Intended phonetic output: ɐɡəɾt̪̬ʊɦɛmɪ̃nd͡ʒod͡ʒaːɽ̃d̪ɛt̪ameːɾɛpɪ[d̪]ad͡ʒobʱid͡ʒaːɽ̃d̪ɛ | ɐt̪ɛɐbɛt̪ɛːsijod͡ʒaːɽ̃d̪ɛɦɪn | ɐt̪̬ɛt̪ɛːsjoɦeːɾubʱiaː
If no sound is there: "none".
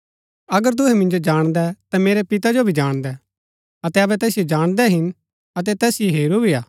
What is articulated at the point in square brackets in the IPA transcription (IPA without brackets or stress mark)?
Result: t̪